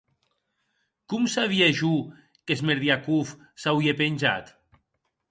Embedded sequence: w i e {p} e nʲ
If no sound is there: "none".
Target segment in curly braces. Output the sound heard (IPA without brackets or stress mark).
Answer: p